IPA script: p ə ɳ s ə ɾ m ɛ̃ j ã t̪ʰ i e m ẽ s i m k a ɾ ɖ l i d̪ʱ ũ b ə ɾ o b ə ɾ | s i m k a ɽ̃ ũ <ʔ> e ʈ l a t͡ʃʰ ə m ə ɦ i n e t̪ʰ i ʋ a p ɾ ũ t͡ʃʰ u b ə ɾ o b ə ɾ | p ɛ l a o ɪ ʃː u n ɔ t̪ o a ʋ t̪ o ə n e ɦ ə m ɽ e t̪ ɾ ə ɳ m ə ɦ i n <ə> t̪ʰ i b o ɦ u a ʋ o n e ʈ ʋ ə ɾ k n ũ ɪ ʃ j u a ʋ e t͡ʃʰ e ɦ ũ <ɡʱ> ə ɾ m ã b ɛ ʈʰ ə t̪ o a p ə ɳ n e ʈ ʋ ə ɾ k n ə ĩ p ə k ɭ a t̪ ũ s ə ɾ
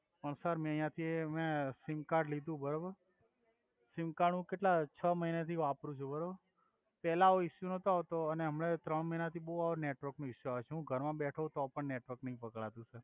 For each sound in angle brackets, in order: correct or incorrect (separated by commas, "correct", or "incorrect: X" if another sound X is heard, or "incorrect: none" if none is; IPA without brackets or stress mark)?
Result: incorrect: k, incorrect: a, correct